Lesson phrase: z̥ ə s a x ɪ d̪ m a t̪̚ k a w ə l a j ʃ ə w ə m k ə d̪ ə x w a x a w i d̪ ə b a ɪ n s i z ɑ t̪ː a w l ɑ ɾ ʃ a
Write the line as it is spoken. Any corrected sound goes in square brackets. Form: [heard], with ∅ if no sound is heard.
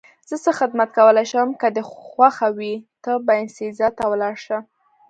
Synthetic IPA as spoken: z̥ ə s [ə] x ɪ d̪ m a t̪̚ k a w ə l a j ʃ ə w ə m k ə d̪ ə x w a x a w i [t̪] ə b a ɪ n s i z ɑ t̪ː a w l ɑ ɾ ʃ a